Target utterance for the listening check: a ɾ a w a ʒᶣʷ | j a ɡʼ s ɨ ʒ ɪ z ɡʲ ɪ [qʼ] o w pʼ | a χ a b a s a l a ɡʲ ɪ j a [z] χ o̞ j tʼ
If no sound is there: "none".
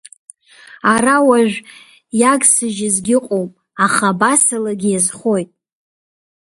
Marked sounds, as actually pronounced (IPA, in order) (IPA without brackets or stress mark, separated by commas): qʼ, z